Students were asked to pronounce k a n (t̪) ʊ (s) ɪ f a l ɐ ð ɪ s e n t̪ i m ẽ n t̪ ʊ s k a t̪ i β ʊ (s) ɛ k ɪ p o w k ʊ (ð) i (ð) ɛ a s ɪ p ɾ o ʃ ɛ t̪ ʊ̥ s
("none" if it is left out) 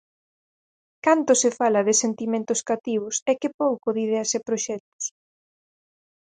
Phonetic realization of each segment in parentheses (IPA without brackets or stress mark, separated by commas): t̪, s, s, ð, ð